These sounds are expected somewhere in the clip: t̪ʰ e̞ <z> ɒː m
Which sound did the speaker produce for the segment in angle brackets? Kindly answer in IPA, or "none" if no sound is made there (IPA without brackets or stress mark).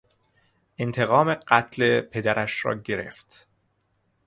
ɣ